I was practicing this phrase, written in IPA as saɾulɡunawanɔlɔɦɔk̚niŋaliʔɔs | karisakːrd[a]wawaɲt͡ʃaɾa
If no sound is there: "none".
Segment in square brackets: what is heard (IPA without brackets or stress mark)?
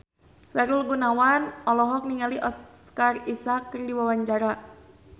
i